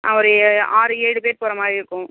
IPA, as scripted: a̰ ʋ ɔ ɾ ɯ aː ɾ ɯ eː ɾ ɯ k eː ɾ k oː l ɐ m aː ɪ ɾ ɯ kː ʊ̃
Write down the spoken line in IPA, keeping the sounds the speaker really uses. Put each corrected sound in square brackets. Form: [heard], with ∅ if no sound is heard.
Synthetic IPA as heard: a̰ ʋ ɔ ɾ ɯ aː ɾ ɯ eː [ɽ] ɯ [p] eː ɾ [p] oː [ɾ] ɐ m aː ɪ ɾ ɯ kː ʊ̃